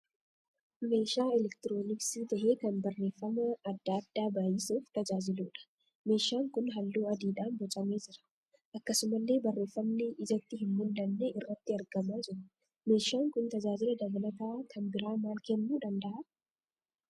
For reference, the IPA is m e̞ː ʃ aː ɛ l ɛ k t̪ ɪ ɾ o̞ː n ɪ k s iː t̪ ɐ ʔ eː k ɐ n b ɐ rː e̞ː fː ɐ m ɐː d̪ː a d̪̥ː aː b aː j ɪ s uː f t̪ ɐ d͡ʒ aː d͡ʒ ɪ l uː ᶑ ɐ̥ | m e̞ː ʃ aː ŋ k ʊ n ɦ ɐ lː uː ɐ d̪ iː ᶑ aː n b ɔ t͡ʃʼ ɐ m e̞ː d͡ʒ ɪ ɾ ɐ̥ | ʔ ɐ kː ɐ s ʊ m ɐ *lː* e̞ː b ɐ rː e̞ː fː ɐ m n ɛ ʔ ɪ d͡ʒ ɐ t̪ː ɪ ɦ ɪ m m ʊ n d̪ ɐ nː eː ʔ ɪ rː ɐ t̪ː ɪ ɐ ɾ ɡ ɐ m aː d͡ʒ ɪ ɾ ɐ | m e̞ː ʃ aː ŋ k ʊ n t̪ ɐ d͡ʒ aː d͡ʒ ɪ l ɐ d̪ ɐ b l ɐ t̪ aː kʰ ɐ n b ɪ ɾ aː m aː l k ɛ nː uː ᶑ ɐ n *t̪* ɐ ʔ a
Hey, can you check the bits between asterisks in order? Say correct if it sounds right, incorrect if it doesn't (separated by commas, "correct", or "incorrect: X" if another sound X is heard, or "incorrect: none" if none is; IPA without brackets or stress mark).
correct, incorrect: d̪